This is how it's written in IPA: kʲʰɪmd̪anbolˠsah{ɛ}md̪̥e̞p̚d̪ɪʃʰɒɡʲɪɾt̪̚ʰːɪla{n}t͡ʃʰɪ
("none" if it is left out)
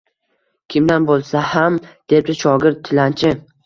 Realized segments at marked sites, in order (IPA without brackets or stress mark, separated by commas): a, n